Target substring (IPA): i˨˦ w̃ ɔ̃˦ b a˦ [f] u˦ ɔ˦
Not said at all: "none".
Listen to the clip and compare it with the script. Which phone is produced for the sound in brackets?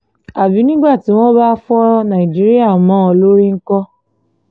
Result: f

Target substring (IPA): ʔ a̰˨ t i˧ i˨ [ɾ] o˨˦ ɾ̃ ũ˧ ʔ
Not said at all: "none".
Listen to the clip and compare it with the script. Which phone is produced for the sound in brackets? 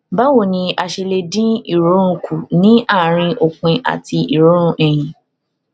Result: ɾ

